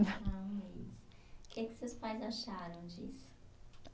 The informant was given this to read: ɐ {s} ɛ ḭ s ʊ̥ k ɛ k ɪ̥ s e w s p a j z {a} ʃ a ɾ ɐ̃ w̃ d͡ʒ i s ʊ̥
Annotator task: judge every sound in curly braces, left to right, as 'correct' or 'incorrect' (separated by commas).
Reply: incorrect, correct